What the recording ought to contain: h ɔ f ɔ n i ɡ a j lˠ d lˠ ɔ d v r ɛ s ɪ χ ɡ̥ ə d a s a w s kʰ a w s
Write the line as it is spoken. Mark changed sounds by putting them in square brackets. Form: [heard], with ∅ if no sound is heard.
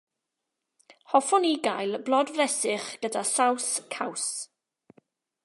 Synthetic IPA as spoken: h ɔ f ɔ n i ɡ a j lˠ [b] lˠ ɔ d v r ɛ s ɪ χ ɡ̥ ə d a s a w s kʰ a w s